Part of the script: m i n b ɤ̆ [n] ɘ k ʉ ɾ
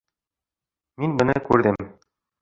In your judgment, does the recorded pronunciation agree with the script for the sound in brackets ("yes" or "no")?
yes